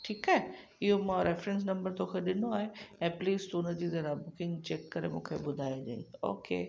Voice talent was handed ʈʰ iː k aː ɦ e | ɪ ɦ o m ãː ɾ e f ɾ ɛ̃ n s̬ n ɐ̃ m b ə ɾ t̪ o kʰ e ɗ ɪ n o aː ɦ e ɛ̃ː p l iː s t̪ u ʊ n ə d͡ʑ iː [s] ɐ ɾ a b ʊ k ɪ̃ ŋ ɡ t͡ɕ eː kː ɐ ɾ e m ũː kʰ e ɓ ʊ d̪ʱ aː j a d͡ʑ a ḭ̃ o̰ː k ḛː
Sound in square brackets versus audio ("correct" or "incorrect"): incorrect